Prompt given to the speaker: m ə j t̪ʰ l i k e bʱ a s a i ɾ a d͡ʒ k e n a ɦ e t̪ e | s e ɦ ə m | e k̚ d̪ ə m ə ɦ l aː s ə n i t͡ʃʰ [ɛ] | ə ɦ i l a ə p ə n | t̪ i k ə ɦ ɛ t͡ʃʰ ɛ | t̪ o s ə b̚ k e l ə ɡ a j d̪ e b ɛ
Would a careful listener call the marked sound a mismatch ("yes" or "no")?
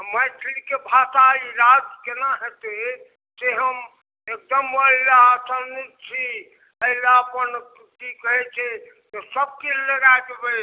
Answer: yes